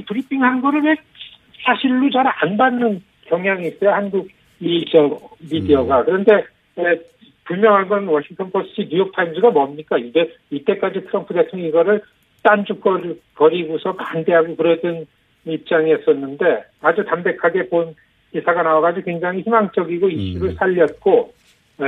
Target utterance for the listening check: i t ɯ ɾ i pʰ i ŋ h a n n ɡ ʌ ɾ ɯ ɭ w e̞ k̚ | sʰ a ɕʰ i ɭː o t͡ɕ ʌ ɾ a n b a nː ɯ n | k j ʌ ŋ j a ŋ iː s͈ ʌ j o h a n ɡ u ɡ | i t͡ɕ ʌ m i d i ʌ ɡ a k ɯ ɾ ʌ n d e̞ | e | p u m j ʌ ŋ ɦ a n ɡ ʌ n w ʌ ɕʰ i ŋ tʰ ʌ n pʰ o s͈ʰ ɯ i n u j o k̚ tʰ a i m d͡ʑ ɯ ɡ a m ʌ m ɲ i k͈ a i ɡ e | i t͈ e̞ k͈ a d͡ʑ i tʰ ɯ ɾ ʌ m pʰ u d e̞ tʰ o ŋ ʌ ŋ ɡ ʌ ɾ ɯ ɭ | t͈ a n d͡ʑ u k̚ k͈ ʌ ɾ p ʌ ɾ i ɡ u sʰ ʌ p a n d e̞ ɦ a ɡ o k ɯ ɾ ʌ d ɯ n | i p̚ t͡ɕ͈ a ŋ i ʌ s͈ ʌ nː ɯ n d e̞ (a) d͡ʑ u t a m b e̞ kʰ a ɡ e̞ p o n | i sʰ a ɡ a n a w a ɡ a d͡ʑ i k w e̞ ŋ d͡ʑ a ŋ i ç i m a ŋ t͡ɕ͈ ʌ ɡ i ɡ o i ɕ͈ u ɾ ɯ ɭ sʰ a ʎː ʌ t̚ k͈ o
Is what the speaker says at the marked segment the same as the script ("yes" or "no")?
yes